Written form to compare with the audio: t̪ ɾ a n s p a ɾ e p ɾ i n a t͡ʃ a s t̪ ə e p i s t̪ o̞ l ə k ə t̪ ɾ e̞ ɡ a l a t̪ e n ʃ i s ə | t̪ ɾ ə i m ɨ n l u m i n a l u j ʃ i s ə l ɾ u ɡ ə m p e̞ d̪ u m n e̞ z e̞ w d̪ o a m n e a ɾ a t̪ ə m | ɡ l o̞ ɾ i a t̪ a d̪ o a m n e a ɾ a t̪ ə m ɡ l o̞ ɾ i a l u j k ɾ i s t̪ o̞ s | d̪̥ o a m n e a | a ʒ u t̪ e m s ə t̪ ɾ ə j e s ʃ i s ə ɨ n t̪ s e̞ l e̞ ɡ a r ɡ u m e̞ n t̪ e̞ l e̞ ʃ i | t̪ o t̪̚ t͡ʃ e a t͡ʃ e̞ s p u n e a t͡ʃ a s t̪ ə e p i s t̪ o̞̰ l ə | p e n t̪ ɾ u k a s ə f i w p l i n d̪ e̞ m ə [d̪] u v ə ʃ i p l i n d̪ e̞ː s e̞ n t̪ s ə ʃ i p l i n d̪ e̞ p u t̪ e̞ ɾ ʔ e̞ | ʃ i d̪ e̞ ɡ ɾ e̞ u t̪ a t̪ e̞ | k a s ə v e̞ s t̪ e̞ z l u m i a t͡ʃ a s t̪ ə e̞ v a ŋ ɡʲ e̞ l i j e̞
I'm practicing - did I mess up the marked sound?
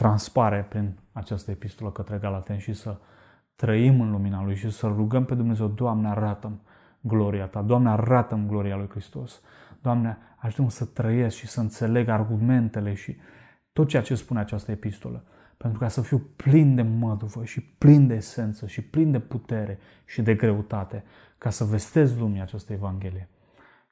no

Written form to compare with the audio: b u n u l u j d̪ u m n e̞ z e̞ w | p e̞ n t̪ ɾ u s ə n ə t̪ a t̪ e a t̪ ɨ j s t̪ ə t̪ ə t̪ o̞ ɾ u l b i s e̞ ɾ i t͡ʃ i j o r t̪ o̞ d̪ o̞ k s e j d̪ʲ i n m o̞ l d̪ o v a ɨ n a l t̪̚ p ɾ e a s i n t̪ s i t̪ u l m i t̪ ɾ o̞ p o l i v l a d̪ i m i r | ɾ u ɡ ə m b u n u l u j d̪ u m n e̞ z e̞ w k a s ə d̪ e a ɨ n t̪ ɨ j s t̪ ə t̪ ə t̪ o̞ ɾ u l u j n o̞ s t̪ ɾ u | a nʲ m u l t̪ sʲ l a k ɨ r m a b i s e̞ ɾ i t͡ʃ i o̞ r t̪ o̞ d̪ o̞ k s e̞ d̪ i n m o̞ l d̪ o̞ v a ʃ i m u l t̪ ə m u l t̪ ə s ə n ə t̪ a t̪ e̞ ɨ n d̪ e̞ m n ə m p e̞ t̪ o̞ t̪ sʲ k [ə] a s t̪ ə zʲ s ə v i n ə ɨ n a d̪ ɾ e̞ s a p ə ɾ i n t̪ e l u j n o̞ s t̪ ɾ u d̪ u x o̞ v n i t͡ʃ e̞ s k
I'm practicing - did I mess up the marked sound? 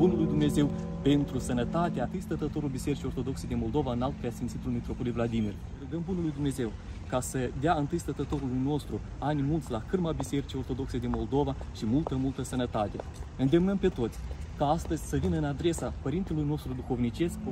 yes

